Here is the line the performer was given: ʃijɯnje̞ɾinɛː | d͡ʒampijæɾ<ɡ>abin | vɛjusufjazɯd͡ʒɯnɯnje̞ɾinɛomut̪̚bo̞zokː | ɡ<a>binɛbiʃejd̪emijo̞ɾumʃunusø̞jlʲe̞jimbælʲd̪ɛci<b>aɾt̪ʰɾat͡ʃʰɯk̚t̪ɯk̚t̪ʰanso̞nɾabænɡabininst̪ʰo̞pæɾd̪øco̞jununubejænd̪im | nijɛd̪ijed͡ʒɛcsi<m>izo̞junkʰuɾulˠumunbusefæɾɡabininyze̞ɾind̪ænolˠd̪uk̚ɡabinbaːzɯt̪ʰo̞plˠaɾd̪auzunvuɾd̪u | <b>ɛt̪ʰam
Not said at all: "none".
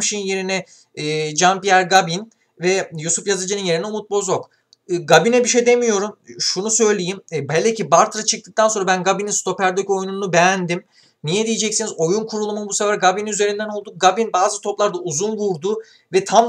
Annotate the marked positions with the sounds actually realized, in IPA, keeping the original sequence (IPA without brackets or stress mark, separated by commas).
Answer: ɡ, a, b, n, v